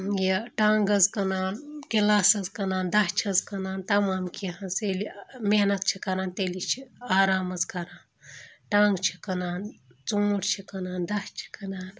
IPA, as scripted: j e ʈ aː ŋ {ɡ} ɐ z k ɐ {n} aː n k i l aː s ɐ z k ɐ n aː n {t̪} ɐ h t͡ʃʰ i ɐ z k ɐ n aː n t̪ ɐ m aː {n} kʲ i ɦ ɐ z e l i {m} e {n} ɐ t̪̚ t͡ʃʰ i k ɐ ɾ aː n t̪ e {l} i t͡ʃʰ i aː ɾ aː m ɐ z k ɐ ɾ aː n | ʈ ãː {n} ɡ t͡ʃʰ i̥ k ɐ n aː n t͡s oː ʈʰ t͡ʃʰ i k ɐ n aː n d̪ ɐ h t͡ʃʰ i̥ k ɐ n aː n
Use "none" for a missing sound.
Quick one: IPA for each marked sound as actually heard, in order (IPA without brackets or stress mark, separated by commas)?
ɡ, n, d̪, m, m, n, l, ŋ